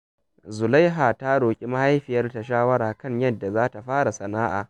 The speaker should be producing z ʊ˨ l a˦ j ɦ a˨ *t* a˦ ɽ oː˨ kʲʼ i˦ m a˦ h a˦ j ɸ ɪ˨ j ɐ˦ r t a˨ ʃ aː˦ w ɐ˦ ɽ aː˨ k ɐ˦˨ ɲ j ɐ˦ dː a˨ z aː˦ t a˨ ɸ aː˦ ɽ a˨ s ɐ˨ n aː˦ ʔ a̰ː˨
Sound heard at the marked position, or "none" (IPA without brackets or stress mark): t